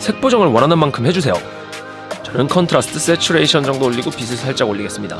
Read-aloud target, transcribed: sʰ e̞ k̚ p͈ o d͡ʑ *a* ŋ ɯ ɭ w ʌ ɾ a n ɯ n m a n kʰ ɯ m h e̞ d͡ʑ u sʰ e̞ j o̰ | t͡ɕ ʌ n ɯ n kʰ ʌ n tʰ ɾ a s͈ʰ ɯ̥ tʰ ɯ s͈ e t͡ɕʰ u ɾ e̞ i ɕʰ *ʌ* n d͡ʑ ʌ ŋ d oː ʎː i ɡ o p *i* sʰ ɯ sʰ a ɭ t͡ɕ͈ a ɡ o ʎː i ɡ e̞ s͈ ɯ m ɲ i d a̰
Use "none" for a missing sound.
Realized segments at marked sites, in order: ʌ, ʌ, i

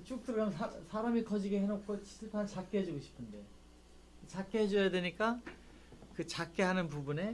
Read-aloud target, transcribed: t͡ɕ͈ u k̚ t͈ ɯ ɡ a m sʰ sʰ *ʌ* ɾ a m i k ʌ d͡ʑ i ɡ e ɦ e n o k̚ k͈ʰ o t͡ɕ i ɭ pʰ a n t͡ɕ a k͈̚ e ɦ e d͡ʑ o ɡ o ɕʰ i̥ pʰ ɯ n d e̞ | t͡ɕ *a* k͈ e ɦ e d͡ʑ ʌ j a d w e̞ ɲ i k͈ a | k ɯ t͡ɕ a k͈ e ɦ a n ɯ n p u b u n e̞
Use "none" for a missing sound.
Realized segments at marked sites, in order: a, a

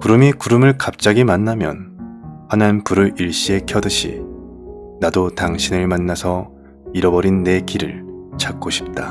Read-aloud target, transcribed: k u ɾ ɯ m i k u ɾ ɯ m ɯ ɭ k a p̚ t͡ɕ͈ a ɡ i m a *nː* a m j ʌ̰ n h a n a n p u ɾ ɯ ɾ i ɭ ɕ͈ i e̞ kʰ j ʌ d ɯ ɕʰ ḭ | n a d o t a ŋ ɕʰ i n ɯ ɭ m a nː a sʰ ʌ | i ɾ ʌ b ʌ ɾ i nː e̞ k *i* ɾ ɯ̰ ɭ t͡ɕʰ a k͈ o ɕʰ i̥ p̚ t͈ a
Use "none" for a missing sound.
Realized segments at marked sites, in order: nː, i

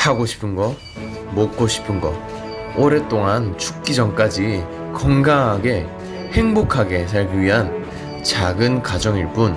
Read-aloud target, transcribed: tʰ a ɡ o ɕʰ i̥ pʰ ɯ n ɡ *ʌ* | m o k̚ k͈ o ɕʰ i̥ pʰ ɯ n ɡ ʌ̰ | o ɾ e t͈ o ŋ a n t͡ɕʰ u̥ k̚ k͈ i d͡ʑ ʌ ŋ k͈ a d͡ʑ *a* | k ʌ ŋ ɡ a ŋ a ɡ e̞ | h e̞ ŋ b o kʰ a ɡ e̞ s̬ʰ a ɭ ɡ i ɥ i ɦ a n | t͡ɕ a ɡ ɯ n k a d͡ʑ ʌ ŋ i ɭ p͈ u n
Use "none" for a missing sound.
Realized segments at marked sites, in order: ʌ, i

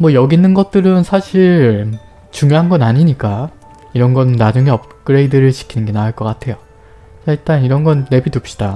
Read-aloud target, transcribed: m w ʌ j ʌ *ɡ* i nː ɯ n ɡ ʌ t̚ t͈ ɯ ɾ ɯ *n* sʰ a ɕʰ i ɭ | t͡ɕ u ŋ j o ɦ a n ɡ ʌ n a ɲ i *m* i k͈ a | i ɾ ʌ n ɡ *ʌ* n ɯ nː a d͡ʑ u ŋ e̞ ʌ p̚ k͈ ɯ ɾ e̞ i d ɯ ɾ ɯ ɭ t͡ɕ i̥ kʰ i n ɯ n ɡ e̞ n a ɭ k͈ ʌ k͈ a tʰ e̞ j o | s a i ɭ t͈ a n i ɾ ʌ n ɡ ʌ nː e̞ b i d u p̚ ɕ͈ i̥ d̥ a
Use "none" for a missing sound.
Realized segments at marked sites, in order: ɡ, n, ɲ, ʌ

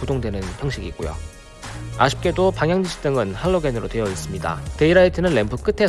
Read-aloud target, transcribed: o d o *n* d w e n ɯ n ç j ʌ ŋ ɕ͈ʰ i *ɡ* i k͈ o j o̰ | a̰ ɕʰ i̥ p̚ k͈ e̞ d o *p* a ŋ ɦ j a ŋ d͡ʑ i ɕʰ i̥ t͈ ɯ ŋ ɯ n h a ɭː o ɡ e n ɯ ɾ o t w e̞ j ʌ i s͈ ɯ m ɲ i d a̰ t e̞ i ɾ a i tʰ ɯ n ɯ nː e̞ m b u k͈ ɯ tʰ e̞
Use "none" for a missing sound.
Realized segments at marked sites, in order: ŋ, ɡ, p

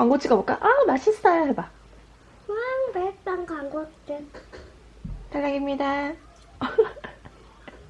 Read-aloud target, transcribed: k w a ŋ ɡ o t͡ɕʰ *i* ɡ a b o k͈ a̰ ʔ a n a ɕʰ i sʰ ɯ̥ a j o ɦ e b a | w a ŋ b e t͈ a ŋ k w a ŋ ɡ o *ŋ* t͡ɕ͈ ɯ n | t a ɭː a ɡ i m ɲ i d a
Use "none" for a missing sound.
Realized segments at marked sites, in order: i, none

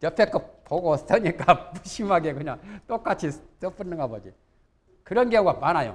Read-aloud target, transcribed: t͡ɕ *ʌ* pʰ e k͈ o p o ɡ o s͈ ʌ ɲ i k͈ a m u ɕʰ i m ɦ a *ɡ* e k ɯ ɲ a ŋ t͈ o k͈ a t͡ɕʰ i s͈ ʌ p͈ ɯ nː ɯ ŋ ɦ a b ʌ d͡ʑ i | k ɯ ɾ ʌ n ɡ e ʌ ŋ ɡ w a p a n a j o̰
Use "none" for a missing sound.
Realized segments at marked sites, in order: ʌ, ɡ

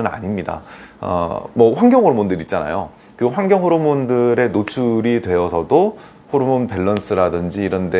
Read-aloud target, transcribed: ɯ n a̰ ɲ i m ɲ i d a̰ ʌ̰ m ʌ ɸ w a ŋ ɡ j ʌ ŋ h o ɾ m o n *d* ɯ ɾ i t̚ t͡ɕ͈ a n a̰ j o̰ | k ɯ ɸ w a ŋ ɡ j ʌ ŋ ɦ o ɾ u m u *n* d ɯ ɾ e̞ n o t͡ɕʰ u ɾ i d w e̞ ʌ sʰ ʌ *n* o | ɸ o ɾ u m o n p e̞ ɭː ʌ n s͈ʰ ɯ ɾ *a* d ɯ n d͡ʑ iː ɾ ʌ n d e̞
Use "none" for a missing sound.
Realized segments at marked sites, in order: d, n, d, a

